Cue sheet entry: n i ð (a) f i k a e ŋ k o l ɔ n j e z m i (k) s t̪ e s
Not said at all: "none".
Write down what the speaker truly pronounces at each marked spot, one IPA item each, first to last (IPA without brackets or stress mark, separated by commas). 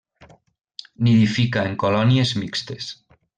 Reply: i, k